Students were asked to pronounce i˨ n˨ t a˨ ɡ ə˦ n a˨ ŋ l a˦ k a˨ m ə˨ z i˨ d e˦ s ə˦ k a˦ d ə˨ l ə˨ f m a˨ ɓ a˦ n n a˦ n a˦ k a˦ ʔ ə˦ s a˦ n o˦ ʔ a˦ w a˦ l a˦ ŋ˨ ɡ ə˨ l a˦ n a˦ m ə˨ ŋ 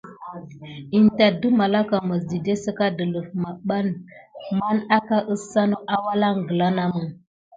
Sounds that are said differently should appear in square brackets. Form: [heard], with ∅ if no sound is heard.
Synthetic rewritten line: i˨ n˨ t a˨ [d] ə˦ [m] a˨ [∅] l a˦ k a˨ m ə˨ z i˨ d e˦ s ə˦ k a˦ d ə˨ l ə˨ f m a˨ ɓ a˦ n [m] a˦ n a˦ k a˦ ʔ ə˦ s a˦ n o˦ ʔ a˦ w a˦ l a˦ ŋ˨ ɡ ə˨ l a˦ n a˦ m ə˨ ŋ